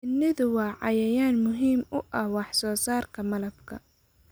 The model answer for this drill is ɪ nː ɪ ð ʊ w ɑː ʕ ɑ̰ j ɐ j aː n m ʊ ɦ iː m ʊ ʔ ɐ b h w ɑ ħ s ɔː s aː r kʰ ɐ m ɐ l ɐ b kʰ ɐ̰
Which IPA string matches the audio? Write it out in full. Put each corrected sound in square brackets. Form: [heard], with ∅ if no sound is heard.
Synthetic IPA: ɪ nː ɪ ð ʊ w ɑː ʕ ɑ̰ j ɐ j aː n m ʊ ɦ iː m ʊ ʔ ɐ [∅] h w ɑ ħ s ɔː s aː r kʰ ɐ m ɐ l ɐ b kʰ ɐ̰